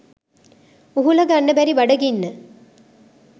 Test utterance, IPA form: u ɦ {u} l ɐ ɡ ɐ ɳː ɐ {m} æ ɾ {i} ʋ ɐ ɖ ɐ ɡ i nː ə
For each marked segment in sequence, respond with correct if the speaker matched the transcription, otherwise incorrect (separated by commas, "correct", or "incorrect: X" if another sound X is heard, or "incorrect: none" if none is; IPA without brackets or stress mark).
correct, incorrect: b, correct